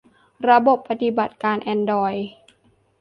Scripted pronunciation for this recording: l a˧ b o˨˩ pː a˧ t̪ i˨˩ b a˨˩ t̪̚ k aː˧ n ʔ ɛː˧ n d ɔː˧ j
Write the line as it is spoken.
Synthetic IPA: ɾ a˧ b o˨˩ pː a˧ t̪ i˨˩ b a˨˩ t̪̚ k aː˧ n ʔ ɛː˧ n d ɔː˧ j